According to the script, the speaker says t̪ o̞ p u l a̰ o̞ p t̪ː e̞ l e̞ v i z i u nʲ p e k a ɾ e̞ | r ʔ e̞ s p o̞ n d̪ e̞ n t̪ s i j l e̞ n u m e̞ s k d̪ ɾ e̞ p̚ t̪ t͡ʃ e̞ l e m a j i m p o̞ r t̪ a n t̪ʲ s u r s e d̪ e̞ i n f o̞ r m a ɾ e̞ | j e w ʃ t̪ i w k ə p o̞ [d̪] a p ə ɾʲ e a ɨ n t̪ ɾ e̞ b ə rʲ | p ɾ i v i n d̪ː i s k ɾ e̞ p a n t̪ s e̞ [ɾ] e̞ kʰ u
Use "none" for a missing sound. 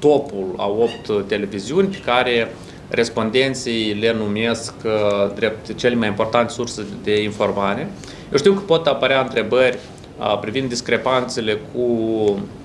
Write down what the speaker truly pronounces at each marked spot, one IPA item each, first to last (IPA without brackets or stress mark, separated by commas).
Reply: t̪, l